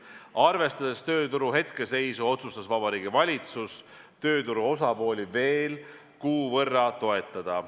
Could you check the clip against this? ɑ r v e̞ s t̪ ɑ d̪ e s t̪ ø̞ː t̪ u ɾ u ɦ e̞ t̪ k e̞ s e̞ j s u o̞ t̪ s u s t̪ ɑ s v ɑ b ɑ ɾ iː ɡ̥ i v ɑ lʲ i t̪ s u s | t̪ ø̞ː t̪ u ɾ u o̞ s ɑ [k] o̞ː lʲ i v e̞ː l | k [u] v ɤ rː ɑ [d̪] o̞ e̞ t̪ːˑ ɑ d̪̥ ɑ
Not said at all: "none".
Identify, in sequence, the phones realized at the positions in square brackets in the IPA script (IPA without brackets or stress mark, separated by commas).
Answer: p, uː, t̪